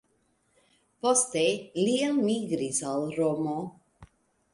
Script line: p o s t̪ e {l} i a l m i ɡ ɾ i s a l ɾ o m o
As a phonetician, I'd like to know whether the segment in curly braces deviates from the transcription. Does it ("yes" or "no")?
no